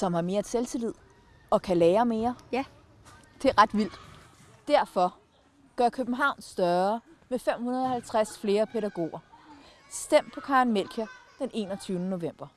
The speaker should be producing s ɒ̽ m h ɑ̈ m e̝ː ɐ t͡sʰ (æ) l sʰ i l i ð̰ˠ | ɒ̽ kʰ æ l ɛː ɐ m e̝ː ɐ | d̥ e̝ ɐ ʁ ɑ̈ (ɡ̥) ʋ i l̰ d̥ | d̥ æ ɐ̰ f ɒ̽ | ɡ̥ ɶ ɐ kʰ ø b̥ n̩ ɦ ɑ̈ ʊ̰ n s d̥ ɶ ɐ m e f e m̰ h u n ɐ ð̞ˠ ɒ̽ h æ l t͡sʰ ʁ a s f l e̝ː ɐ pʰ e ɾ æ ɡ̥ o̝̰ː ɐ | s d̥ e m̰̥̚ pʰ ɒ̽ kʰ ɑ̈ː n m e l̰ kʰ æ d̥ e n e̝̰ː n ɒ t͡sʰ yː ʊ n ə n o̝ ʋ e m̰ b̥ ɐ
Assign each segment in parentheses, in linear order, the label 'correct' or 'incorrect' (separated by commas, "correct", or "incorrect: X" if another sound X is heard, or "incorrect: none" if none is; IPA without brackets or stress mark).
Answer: incorrect: e, incorrect: d̥